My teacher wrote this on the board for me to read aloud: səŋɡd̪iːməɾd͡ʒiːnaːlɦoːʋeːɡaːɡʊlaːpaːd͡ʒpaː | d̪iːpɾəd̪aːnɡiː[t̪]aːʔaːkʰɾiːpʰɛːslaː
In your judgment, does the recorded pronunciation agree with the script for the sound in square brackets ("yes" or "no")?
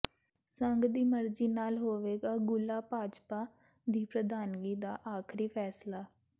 no